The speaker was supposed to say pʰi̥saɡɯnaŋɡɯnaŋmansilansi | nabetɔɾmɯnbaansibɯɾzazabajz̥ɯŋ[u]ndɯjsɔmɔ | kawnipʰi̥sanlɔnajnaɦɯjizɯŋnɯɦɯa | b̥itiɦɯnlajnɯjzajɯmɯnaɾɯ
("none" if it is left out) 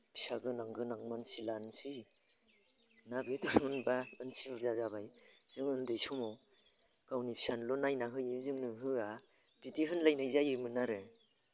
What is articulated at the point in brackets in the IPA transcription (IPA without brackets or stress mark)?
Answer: ɯ